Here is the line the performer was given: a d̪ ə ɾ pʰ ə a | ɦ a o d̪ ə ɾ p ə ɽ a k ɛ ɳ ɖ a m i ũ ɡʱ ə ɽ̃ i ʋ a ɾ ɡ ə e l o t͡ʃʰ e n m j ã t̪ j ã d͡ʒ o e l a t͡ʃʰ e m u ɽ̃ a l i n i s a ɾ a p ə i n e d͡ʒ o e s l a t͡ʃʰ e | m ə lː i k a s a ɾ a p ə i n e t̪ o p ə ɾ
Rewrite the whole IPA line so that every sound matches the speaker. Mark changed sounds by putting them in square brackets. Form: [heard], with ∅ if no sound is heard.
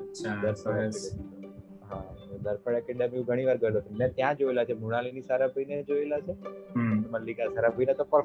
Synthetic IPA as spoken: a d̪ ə ɾ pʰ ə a | ɦ a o d̪ ə ɾ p ə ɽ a k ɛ ɳ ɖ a m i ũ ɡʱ ə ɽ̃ i ʋ a ɾ ɡ ə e l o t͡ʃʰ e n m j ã t̪ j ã d͡ʒ o e l a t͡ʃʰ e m u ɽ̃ a l i n i s a ɾ a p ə i n e d͡ʒ o e [∅] l a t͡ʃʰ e | m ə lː i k a s a ɾ a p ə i n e t̪ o p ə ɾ